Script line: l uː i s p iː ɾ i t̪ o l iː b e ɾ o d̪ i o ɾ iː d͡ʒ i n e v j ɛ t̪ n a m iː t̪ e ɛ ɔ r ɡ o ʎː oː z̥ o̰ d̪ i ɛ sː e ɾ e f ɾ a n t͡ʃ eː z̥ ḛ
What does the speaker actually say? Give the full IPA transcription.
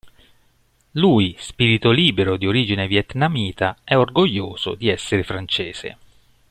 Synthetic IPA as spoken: l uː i s p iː ɾ i t̪ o l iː b e ɾ o d̪ i o ɾ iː d͡ʒ i n e v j ɛ t̪ n a m iː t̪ a ɛ o r ɡ o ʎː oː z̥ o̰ d̪ i ɛ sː e ɾ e f ɾ a n t͡ʃ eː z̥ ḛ